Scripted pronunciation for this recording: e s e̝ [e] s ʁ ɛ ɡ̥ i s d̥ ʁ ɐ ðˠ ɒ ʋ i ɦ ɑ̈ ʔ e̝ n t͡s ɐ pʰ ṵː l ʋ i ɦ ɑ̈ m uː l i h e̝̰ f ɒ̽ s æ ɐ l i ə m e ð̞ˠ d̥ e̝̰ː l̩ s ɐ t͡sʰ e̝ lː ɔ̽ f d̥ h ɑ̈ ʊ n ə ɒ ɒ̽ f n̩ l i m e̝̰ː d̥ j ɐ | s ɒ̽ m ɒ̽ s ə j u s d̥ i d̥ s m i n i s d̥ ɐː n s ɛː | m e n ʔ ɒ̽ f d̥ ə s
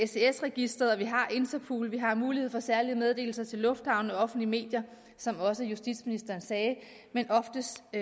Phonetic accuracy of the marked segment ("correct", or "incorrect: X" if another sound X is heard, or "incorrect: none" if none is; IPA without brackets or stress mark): correct